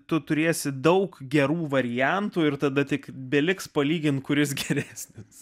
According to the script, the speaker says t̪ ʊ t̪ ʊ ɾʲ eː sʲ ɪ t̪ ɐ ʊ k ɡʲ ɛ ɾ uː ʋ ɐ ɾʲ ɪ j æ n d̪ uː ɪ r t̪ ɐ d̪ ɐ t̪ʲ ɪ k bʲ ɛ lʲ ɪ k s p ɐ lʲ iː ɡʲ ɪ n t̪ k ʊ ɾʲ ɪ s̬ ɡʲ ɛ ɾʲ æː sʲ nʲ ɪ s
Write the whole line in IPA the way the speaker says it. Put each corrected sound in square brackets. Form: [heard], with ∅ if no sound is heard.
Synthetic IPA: t̪ ʊ t̪ ʊ ɾʲ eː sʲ ɪ [d̪] ɐ ʊ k ɡʲ ɛ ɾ uː ʋ ɐ ɾʲ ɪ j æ n [t̪] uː ɪ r t̪ ɐ d̪ ɐ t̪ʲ ɪ k bʲ ɛ lʲ ɪ k s p ɐ lʲ iː ɡʲ ɪ n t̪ k ʊ ɾʲ ɪ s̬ ɡʲ ɛ ɾʲ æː sʲ nʲ ɪ s